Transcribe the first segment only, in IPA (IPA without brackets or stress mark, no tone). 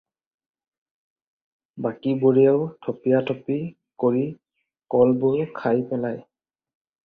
b